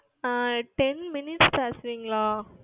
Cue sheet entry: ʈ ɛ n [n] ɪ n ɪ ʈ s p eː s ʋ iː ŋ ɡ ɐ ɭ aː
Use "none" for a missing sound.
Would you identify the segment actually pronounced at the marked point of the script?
m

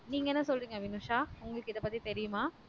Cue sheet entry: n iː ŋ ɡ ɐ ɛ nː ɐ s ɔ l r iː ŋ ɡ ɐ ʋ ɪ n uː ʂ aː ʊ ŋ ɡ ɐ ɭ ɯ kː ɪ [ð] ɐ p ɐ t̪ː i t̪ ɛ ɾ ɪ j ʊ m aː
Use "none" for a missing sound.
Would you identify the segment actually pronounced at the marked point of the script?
ð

